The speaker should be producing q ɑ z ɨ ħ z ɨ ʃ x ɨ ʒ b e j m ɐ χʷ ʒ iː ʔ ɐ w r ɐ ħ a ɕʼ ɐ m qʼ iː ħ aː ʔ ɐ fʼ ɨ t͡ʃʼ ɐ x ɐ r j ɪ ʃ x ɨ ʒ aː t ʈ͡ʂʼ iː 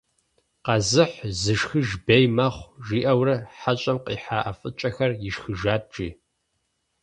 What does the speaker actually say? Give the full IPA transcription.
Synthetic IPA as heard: q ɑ z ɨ ħ z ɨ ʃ x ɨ ʒ b e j m ɐ χʷ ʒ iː ʔ ɐ w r ɐ ħ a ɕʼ ɐ m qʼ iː ħ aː ʔ ɐ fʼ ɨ t͡ʃʼ ɐ x ɐ r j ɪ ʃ x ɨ ʒ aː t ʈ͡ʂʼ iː

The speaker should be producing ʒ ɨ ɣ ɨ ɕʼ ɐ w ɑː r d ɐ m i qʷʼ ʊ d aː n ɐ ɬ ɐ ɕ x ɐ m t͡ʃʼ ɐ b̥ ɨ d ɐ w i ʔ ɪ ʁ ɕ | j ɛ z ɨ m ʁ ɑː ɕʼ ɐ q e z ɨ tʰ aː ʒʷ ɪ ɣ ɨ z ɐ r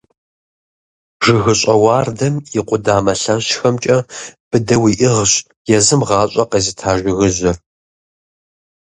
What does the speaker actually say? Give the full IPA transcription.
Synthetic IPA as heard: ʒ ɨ ɣ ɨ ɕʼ ɐ w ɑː r d ɐ m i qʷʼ ʊ d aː m ɐ ɬ ɐ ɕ x ɐ m t͡ʃʼ ɐ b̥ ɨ d ɐ w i ʔ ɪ ʁ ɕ | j ɛ z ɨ m ʁ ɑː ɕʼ ɐ q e z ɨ tʰ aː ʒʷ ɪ ɣ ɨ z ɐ r

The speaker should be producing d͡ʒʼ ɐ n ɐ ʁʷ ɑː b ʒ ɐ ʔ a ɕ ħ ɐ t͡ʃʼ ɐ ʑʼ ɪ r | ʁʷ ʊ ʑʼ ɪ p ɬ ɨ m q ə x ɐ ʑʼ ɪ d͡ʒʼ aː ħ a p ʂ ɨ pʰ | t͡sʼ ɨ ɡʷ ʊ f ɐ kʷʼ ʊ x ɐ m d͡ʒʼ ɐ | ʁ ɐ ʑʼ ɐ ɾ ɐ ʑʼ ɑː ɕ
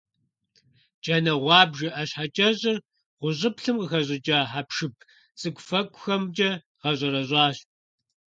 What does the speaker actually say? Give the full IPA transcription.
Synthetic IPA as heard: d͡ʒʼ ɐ n ɐ ʁʷ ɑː b ʒ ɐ ʔ ɐ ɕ ħ a t͡ʃʼ ɐ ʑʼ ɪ r | ʁʷ ʊ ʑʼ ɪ p ɬ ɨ m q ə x ɐ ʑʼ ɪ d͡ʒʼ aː ħ a p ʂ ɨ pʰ | t͡sʼ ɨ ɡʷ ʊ f ɐ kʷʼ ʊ x ɐ m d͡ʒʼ ɐ | ʁ ɐ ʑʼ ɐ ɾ ɐ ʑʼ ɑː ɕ

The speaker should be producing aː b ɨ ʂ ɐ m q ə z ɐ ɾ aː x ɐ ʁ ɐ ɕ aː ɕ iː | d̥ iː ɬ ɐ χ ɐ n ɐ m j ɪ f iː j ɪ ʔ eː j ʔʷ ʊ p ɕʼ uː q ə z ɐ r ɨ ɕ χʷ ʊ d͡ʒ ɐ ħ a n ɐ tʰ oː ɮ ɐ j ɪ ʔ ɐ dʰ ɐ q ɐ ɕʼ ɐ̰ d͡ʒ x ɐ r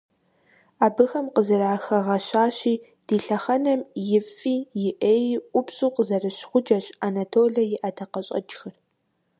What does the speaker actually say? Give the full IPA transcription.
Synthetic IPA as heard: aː b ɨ x ɐ m q ə z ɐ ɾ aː x ɐ ʁ ɐ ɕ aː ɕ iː | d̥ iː ɬ ɐ χ ɐ n ɐ m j ɪ f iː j ɪ ʔ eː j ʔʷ ʊ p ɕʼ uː q ə z ɐ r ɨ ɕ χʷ ʊ d͡ʒ ɐ ɕ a n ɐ tʰ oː ɮ ɐ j ɪ ʔ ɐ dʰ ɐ q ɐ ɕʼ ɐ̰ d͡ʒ x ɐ r

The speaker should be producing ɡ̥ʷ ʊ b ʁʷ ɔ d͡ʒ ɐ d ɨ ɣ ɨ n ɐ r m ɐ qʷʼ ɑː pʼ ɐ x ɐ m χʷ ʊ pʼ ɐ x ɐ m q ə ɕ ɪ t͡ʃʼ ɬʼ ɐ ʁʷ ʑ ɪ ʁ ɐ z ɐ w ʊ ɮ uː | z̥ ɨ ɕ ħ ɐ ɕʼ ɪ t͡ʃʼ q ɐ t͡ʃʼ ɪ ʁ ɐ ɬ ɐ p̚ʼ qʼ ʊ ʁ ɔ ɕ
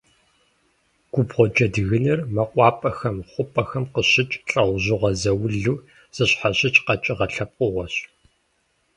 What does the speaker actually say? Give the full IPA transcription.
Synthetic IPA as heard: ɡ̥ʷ ʊ b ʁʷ ɔ d͡ʒ ɐ d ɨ ɣ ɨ n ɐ r m ɐ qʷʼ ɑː pʼ ɐ x ɐ m χʷ ʊ pʼ ɐ x ɐ m q ə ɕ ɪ t͡ʃʼ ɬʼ ɐ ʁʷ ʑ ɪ ʁ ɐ z ɐ w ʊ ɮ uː | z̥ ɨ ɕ ħ a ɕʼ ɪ t͡ʃʼ q ɐ t͡ʃʼ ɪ ʁ ɐ ɬ ɐ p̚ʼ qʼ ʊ ʁ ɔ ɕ

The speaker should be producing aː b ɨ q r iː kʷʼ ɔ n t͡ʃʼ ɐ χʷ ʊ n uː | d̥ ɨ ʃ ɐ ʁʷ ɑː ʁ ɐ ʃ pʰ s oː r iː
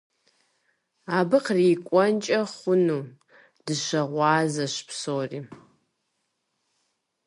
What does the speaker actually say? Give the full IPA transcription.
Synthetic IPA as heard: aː b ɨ q r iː kʷʼ ɔ n t͡ʃʼ ɐ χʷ ʊ n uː | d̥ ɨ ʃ ɐ ʁʷ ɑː z ɐ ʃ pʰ s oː r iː

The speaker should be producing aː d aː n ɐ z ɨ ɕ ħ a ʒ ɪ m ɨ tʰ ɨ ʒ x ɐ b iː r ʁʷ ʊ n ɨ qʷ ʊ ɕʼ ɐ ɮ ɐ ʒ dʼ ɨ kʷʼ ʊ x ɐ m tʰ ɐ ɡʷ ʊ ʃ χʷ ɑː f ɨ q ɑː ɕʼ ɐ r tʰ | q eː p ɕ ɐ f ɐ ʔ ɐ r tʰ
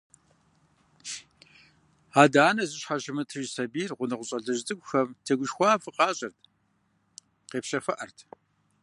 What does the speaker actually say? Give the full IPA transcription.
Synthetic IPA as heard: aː d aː n ɐ z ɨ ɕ ħ a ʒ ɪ m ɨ tʰ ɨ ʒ s ɐ b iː r ʁʷ ʊ n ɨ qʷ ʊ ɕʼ ɐ ɮ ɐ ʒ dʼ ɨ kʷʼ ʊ x ɐ m tʰ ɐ ɡʷ ʊ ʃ xʷ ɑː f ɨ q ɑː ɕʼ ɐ r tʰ | q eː p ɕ ɐ f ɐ ʔ ɐ r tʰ

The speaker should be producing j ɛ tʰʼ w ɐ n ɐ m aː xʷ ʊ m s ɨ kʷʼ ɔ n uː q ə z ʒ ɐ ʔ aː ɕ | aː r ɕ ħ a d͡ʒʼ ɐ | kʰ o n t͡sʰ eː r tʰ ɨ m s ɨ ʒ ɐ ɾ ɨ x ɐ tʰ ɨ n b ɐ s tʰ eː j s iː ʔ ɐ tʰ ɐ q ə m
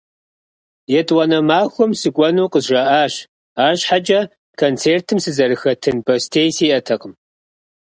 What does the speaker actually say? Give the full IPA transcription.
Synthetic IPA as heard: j ɛ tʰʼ w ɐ n ɐ m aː xʷ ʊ m s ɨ kʷʼ ɔ n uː q ə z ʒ ɐ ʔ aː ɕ | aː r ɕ ħ a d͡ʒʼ ɐ | kʰ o n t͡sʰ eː r tʰ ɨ m s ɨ z ɐ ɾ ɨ x ɐ tʰ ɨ n b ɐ s tʰ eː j s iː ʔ ɐ tʰ ɐ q ə m

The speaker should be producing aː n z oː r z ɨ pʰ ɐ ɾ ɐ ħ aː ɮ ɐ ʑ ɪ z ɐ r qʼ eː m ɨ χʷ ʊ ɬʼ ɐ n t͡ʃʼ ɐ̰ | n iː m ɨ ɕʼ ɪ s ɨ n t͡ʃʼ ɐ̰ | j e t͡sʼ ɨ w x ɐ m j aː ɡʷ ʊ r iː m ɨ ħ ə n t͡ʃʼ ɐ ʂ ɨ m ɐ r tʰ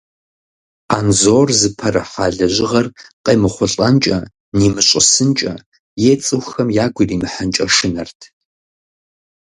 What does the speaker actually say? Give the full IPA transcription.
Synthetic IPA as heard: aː n z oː r z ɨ pʰ ɐ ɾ ɐ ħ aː ɮ ɐ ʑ ɪ ʁ ɐ r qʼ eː m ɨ χʷ ʊ ɬʼ ɐ n t͡ʃʼ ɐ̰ | n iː m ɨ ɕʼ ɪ s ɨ n t͡ʃʼ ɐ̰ | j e t͡sʼ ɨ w x ɐ m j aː ɡʷ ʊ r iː m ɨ ħ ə n t͡ʃʼ ɐ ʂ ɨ n ɐ r tʰ

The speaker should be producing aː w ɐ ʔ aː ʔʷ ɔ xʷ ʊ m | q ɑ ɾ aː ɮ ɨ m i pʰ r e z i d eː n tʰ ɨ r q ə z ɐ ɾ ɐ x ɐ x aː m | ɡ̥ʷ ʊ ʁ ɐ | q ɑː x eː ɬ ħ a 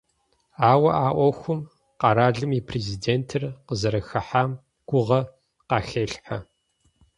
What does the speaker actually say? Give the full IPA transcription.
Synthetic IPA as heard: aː w ɐ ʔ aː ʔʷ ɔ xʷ ʊ m | q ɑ ɾ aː ɮ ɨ m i pʰ r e z i d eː n tʰ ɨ r q ə z ɐ ɾ ɐ x ɐ ħ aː m | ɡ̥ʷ ʊ ʁ ɐ | q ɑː x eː ɬ ħ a

